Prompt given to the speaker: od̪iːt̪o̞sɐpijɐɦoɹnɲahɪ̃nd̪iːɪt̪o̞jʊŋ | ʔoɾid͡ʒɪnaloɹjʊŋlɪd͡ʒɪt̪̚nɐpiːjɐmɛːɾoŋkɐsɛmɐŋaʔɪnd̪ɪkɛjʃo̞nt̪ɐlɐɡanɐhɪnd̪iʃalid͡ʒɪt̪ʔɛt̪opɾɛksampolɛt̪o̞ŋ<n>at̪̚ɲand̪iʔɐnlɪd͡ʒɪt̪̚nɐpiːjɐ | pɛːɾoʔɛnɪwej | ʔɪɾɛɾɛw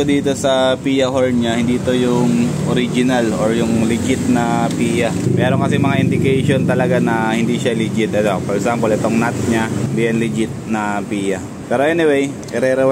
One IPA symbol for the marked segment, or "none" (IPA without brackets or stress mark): n